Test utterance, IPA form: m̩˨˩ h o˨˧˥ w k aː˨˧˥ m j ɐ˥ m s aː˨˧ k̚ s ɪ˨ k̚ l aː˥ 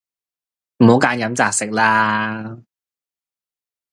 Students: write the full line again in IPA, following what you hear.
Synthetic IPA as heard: m̩˨˩ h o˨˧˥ w k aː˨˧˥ n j ɐ˨˥ m t͡s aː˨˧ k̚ s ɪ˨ k̚ l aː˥